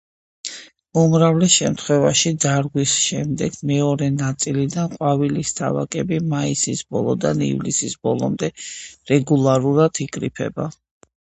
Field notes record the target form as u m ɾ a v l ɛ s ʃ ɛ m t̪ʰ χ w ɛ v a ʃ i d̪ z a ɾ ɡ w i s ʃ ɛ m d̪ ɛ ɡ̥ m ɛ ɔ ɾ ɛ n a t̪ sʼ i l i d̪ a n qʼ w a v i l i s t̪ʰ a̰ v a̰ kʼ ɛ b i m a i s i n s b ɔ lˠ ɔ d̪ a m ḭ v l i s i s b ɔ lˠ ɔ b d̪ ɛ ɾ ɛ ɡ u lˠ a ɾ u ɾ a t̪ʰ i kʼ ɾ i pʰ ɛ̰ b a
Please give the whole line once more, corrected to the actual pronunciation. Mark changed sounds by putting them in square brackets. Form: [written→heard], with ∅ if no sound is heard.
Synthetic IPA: u m ɾ a v l ɛ s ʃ ɛ m t̪ʰ χ w ɛ v a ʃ i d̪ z a ɾ ɡ w i s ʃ ɛ m d̪ ɛ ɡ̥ m ɛ ɔ ɾ ɛ n a t̪ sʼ i l i d̪ a n qʼ w a v i l i s t̪ʰ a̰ v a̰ kʼ ɛ b i m a i s i [n→∅] s b ɔ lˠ ɔ d̪ a [m→n] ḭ v l i s i s b ɔ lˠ ɔ [b→m] d̪ ɛ ɾ ɛ ɡ u lˠ a ɾ u ɾ a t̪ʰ i kʼ ɾ i pʰ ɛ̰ b a